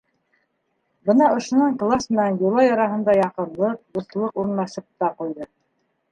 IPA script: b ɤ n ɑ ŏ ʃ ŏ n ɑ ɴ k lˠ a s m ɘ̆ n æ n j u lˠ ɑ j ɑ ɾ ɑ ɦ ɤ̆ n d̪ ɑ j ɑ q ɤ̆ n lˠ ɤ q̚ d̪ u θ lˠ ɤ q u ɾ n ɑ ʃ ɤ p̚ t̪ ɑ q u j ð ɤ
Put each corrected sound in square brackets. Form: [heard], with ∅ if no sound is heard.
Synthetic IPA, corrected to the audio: b ɤ n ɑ ŏ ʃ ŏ n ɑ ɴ k lˠ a s m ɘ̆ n æ n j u lˠ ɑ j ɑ ɾ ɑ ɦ ɤ̆ n d̪ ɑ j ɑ q ɤ̆ n lˠ ɤ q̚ d̪ u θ lˠ ɤ q u ɾ n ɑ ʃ ɤ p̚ t̪ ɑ q u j ð ɤ